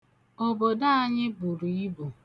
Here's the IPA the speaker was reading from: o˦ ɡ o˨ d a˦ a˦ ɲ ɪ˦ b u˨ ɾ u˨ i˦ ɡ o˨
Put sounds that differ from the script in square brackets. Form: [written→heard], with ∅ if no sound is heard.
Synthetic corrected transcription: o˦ [ɡ→b] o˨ d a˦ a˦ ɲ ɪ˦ b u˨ ɾ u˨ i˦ [ɡ→b] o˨